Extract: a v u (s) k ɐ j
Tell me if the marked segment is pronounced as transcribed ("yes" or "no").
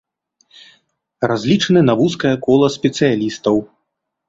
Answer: yes